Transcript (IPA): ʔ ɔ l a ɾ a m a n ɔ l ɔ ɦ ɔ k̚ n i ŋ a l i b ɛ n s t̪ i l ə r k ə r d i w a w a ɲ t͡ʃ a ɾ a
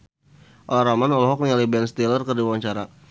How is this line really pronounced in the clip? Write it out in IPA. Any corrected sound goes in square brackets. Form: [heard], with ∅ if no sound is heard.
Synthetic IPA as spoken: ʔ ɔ l a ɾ a m a n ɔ l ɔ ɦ ɔ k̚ n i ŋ a l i b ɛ n s t̪ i l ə r k ə r d i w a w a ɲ t͡ʃ a ɾ a

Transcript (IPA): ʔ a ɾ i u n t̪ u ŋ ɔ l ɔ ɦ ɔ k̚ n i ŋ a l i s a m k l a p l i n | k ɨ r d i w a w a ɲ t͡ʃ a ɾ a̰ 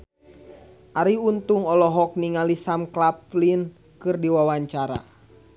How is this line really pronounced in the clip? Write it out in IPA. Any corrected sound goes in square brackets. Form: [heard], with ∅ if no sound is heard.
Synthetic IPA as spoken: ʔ a ɾ i u n t̪ u ŋ ɔ l ɔ ɦ ɔ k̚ n i ŋ a l i s a m k l a p l i n | k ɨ r d i w a w a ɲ t͡ʃ a ɾ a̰

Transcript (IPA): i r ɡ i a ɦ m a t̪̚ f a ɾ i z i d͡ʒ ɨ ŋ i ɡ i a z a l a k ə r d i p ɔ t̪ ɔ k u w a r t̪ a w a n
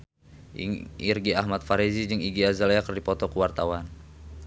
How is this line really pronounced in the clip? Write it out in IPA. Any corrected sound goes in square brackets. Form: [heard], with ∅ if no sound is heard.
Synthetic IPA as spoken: i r ɡ i a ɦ m a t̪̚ f a ɾ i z i d͡ʒ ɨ ŋ i ɡ i a z a l a k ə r d i p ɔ t̪ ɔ k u w a r t̪ a w a n

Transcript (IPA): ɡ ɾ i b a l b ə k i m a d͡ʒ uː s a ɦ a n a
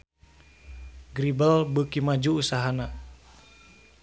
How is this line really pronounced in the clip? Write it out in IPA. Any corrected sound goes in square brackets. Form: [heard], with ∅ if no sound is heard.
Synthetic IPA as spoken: ɡ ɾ i b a l b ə k i m a d͡ʒ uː s a ɦ a n a

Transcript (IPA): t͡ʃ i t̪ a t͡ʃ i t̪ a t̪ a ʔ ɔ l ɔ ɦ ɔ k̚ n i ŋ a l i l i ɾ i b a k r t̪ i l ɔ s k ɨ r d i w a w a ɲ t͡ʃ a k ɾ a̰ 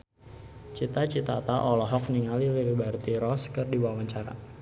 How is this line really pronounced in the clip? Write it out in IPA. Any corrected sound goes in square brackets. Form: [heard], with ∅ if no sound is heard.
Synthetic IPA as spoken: t͡ʃ i t̪ a t͡ʃ i t̪ a t̪ a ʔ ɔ l ɔ ɦ ɔ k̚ n i ŋ a l i l i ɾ i b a [∅] r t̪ i [ɾ] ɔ s k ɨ r d i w a w a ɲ t͡ʃ a [∅] ɾ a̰

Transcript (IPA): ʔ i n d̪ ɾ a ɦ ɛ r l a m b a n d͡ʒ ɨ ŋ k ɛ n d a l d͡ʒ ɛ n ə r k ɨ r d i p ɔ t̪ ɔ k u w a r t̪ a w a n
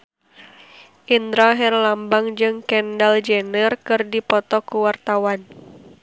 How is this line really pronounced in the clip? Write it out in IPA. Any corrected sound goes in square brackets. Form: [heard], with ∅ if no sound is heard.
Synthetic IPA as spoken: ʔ i n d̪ ɾ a ɦ ɛ r l a m b a [ŋ] d͡ʒ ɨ ŋ k ɛ n d a l d͡ʒ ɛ n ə r k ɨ r d i p ɔ t̪ ɔ k u w a r t̪ a w a n

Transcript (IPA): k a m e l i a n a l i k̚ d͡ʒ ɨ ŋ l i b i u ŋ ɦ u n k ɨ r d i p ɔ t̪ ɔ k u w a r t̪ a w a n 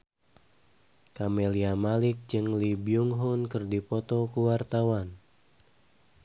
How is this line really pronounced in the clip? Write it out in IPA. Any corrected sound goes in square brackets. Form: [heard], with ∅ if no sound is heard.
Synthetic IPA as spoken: k a m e l i a [m] a l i k̚ d͡ʒ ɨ ŋ l i b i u ŋ ɦ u n k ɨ r d i p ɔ t̪ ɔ k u w a r t̪ a w a n

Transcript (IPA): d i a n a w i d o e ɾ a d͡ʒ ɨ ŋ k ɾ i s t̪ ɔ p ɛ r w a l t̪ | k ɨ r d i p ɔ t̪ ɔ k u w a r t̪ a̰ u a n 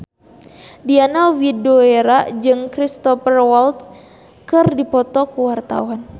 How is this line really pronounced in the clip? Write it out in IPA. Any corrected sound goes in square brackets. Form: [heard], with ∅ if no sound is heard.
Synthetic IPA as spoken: d i a n a w i d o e ɾ a d͡ʒ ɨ ŋ k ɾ i s t̪ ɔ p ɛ r w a l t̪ | k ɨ r d i p ɔ t̪ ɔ k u w a r t̪ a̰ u a n

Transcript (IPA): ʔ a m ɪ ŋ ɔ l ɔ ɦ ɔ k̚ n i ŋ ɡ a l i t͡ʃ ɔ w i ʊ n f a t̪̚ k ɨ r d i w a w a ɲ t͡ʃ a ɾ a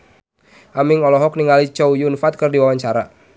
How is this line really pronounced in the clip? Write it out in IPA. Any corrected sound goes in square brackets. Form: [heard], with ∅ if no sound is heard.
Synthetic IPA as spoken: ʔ a m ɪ ŋ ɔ l ɔ ɦ ɔ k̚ n i ŋ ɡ a l i t͡ʃ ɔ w [j] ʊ n f a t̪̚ k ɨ r d i w a w a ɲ t͡ʃ a ɾ a

